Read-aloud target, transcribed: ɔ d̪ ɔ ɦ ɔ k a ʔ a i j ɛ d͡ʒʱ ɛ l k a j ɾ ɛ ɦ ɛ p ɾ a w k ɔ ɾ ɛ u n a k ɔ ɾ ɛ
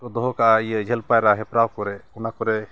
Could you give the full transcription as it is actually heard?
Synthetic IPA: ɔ d̪ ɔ ɦ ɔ k a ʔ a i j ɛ d͡ʒʱ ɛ l p a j ɾ a ɦ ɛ p ɾ a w k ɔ ɾ ɛ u n a k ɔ ɾ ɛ